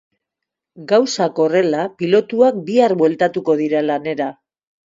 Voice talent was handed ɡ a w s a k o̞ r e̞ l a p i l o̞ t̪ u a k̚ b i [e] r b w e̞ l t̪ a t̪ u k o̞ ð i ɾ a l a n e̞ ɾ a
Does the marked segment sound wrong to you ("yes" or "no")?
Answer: yes